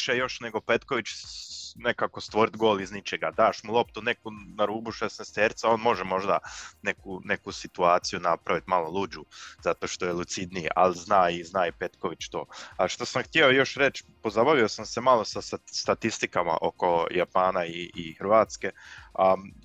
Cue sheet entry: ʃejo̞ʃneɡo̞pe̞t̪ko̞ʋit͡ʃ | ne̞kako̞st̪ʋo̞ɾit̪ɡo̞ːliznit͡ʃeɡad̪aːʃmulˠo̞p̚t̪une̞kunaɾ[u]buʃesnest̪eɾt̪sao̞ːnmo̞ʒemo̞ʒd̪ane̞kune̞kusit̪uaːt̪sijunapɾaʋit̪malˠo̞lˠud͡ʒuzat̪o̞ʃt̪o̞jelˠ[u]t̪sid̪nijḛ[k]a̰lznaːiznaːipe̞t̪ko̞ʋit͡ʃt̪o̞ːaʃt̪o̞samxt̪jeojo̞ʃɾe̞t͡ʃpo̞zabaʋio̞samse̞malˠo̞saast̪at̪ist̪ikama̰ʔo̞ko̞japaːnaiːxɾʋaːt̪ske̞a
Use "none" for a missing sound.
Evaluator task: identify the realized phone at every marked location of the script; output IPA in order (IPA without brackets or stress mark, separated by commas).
uː, u, ʔ